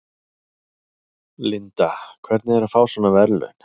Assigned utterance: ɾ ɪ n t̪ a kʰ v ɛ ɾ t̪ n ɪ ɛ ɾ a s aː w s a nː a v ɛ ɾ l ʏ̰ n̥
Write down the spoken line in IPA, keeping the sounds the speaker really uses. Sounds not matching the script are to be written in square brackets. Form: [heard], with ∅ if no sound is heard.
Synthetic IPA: [l] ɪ n t̪ a kʰ v ɛ ɾ t̪ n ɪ ɛ ɾ a [f] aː w s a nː a v ɛ ɾ l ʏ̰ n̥

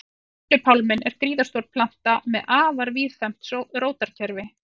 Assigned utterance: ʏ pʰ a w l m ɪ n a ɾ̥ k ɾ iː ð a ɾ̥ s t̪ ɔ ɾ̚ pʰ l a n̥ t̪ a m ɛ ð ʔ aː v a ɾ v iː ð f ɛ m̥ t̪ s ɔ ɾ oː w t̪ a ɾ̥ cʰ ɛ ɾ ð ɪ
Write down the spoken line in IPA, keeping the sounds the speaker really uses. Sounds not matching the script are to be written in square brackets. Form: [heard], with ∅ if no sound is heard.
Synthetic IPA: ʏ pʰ a w l m ɪ n [ɛ] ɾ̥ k ɾ iː ð a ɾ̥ s t̪ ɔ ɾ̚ pʰ l a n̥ t̪ a m ɛ ð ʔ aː v a ɾ v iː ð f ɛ m̥ t̪ s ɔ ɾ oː w t̪ a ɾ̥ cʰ ɛ ɾ [v] ɪ

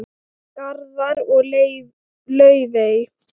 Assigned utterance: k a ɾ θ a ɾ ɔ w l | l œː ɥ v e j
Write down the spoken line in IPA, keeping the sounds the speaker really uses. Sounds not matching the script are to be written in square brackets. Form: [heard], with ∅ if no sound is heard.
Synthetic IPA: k a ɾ [ð] a ɾ ɔ [ɣ] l | l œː ɥ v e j

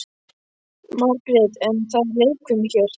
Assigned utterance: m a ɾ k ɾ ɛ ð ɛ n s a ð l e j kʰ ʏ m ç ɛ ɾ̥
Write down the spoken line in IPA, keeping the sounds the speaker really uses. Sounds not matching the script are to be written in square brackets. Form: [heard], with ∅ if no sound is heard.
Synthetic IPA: m a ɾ k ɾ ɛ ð ɛ n [θ] a ð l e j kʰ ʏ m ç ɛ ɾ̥

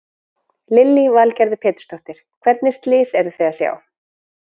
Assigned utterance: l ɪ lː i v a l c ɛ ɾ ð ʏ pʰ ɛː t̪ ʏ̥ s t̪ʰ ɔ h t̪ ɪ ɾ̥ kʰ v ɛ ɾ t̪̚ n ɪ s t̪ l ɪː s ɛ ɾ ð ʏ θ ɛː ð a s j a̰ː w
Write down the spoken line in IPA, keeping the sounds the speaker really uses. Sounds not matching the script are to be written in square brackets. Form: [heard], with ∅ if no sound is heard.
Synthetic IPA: l ɪ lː i v a l c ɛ ɾ ð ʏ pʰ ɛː t̪ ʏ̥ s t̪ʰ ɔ h t̪ ɪ ɾ̥ kʰ v ɛ ɾ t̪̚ n ɪ s t̪ l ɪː s ɛ ɾ ð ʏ θ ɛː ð a s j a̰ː w

